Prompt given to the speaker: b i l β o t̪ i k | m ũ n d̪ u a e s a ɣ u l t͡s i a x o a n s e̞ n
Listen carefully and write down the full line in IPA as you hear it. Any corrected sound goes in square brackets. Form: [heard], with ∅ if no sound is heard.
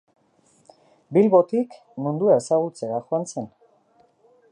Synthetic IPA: b i l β o t̪ i k | m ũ n d̪ u a e s a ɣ u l t͡s [e] a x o a n [t͡s] e̞ n